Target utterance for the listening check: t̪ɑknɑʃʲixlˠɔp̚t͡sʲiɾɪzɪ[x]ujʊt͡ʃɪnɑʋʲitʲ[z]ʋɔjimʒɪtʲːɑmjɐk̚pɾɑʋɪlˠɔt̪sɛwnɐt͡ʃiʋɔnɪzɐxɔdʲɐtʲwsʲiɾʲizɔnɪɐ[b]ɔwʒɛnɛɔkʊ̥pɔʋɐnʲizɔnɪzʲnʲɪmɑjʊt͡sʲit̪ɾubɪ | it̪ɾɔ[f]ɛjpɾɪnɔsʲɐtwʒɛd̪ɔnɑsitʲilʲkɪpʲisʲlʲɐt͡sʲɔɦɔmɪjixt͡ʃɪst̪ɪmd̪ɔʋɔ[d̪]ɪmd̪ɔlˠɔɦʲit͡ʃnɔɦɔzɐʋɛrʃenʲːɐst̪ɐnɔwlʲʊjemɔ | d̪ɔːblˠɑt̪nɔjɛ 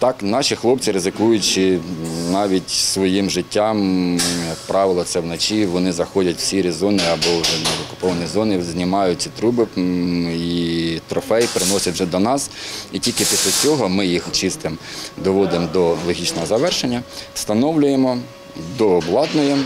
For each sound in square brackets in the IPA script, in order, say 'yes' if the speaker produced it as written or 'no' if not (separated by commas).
no, no, yes, yes, yes